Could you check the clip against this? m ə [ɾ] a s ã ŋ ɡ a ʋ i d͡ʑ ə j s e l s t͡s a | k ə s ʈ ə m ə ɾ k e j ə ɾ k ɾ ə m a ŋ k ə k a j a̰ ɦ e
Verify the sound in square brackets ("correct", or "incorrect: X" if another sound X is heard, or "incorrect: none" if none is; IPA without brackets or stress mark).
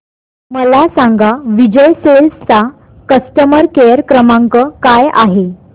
incorrect: l